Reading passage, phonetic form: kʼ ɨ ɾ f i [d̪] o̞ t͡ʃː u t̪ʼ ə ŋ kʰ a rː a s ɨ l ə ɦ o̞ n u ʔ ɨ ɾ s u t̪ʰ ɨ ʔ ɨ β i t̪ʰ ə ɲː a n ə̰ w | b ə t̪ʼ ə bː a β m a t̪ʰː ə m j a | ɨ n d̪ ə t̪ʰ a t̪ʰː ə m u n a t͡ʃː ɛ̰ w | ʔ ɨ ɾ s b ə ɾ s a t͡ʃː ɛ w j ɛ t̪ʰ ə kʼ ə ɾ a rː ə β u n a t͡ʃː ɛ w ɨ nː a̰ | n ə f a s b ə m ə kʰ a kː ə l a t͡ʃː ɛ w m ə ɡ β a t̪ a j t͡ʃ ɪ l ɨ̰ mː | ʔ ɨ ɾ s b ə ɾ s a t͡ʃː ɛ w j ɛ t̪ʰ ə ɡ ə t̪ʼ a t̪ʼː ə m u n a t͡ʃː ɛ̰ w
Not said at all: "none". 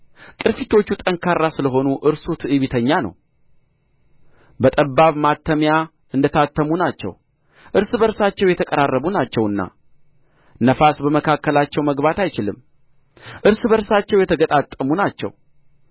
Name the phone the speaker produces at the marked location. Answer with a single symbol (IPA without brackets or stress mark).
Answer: t̪